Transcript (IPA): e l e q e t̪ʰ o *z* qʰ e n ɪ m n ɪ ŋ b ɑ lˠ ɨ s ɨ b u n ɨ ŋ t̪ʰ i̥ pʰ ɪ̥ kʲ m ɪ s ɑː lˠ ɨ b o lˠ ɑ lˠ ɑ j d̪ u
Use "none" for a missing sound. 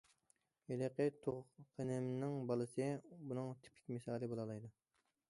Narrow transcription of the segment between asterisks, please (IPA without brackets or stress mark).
ʁ